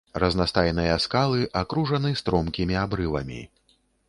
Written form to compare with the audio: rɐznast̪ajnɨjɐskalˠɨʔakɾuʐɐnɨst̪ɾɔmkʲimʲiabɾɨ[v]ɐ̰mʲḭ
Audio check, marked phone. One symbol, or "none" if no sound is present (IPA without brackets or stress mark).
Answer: v